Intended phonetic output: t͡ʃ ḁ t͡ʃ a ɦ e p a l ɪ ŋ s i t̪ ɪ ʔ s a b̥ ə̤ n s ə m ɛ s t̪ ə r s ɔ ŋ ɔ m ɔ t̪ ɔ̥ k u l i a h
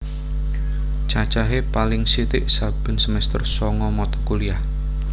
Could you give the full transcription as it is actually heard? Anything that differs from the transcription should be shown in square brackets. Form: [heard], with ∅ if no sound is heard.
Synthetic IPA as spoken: t͡ʃ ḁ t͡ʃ a ɦ e p a l ɪ ŋ s i t̪ ɪ ʔ s a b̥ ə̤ n s ə m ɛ s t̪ ə r s ɔ ŋ ɔ m ɔ t̪ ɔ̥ k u l i a h